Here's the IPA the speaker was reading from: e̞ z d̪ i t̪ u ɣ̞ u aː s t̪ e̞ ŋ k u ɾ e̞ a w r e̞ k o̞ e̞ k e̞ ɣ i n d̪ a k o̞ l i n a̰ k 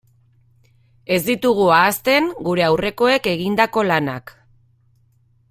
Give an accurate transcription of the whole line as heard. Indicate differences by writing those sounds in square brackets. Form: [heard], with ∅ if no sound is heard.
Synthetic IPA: e̞ z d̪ i t̪ u ɣ̞ u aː s t̪ e̞ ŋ [ɡ] u ɾ e̞ a w r e̞ k o̞ e̞ k e̞ ɣ i n d̪ a k o̞ l [a] n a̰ k